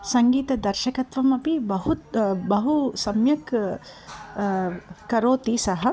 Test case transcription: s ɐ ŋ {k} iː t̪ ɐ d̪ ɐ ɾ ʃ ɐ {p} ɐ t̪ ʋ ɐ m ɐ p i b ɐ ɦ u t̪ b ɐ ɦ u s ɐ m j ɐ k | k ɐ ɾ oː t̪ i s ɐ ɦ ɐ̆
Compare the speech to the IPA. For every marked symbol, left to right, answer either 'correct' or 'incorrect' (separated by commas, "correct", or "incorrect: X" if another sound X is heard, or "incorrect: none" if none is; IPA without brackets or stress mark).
incorrect: ɡ, incorrect: k